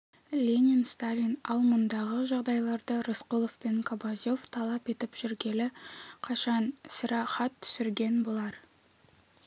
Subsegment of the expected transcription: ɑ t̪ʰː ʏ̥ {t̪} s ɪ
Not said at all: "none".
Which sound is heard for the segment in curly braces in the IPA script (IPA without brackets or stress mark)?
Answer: none